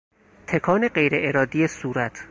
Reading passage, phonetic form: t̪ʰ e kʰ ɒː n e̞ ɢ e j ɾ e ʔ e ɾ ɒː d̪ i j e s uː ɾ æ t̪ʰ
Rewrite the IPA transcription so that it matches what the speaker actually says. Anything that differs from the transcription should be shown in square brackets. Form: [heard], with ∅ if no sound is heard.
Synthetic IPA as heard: t̪ʰ e kʰ ɒː n e̞ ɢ e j ɾ e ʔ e ɾ ɒː d̪ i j e s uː ɾ æ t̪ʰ